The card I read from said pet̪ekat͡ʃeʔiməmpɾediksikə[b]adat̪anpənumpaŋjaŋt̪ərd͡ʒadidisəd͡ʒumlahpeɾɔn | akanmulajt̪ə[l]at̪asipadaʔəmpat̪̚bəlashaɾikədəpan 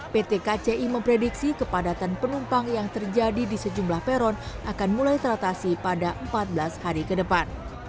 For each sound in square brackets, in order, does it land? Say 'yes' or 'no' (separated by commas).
no, no